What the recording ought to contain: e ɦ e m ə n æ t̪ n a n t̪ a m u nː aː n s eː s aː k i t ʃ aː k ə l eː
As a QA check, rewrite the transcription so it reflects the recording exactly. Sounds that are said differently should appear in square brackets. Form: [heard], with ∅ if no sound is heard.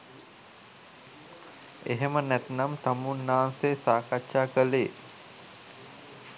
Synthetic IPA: e ɦ e m ə n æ t̪ n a [m] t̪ a m u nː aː n s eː s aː k [a] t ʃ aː k ə l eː